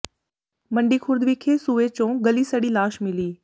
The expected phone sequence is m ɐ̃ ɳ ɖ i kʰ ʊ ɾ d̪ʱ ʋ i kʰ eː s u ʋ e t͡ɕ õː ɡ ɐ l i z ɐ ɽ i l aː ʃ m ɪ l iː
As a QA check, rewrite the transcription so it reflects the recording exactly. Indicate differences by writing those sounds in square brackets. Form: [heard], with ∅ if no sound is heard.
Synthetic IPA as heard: m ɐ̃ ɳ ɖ i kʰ ʊ ɾ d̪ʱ ʋ i kʰ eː s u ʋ e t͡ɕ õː ɡ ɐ l i [s] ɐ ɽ i l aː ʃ m ɪ l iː